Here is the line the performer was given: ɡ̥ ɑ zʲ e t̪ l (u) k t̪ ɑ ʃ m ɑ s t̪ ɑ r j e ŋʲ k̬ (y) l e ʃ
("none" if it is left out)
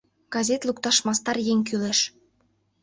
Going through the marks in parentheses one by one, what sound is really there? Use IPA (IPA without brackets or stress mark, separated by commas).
u, y